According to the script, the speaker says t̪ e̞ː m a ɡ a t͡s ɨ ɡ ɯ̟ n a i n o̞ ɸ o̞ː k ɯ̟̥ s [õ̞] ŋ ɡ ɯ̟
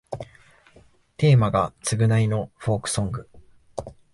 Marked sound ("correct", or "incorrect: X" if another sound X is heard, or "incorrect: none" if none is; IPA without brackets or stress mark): correct